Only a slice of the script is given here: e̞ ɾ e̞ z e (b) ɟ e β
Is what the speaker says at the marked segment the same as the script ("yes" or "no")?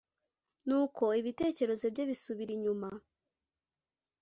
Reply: yes